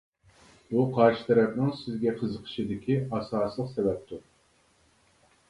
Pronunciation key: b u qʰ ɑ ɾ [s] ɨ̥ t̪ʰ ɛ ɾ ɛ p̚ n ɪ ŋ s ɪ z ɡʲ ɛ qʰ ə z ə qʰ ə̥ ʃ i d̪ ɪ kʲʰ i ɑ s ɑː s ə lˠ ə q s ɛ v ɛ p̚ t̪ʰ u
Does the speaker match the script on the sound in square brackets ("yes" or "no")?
no